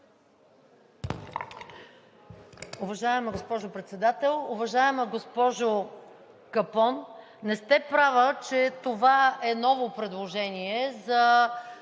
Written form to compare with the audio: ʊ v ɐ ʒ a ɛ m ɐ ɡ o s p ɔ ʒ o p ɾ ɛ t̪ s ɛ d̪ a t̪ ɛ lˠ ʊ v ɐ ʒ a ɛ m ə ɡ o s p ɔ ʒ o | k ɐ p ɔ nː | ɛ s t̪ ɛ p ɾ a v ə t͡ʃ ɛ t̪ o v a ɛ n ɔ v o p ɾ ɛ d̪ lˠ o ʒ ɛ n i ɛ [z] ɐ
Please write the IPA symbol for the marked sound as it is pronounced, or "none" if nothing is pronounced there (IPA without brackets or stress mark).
z